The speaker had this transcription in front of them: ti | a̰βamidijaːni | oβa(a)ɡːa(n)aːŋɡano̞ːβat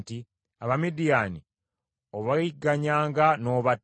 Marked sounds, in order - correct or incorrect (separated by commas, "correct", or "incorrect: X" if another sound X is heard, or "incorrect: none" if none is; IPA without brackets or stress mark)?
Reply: incorrect: i, incorrect: ɲ